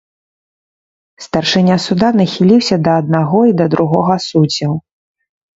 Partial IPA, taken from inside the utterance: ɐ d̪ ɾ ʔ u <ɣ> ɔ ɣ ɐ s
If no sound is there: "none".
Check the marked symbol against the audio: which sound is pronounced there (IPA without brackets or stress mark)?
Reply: ɣ